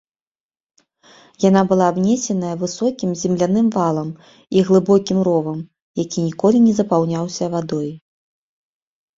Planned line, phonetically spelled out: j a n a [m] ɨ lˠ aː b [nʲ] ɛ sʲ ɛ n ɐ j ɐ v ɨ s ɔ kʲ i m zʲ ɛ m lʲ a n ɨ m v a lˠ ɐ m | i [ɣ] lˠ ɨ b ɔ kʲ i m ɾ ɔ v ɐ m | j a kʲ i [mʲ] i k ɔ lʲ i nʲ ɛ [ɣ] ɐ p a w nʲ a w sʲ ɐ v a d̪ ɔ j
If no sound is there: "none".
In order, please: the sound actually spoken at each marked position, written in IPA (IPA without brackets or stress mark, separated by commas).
b, nʲ, ɣ, nʲ, z